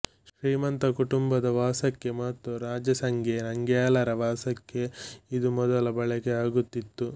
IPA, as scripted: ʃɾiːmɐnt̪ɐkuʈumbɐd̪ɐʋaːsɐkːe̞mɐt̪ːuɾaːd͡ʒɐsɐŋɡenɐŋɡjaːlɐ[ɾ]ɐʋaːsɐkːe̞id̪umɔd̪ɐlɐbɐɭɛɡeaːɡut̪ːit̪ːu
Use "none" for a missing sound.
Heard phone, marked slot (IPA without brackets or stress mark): ɾ